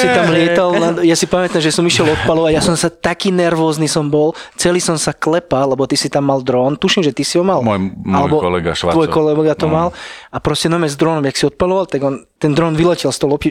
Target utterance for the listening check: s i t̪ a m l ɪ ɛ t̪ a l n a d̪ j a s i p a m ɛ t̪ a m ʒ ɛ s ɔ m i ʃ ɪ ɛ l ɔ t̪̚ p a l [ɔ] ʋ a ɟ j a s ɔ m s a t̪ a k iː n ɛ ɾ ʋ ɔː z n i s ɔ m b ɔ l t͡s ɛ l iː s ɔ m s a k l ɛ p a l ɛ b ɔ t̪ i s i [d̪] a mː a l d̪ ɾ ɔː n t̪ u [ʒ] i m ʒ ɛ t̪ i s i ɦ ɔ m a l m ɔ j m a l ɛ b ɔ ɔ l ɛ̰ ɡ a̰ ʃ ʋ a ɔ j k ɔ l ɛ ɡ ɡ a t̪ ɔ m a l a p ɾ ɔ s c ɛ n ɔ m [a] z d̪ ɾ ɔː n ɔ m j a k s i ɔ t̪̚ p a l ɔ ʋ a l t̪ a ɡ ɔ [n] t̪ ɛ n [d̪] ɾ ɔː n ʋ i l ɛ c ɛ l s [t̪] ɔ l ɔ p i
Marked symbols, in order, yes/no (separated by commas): yes, no, no, no, yes, yes, yes